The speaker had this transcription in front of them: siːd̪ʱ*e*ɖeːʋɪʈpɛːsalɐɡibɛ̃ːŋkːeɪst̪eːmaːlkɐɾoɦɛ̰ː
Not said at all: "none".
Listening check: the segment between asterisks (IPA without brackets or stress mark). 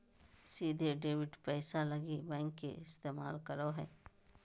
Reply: e